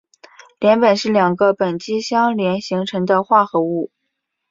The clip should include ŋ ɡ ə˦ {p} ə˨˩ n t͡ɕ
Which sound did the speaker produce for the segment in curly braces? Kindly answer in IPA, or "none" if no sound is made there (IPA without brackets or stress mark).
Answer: p